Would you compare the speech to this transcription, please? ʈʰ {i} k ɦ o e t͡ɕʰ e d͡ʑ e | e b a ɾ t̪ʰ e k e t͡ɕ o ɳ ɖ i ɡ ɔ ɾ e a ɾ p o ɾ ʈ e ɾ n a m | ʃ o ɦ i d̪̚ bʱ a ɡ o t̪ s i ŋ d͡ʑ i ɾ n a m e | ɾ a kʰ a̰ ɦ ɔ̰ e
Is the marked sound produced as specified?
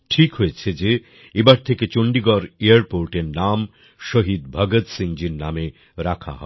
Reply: yes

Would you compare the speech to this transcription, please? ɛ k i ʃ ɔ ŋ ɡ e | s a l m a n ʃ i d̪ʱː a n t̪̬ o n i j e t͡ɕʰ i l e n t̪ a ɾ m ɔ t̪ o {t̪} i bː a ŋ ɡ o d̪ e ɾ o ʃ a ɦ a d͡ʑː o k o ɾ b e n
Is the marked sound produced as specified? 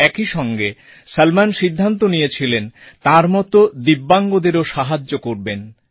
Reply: no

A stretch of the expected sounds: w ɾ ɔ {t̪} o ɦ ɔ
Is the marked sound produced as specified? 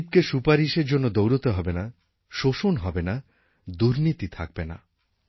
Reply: yes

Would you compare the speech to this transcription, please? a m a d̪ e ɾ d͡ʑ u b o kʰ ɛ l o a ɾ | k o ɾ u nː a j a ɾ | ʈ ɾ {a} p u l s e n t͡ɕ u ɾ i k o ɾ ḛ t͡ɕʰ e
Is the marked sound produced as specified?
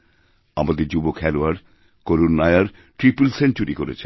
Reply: no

